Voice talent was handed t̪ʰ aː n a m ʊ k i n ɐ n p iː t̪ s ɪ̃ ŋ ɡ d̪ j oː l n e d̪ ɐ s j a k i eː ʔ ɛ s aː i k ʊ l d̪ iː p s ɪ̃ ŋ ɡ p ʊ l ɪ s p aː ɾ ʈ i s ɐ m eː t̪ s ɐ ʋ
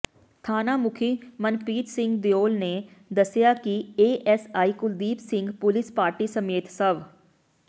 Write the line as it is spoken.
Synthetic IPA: t̪ʰ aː n a m ʊ kʰ i m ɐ n p iː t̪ s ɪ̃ ŋ ɡ d̪ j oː l n e d̪ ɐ s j a k i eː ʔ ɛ s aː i k ʊ l d̪ iː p s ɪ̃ ŋ ɡ p ʊ l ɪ s p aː ɾ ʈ i s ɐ m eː t̪ s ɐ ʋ